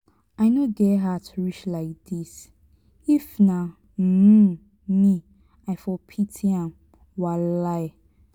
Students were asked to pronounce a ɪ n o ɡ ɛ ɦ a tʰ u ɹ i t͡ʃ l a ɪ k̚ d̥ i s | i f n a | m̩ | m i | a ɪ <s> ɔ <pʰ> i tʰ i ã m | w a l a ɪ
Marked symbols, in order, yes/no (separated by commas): no, yes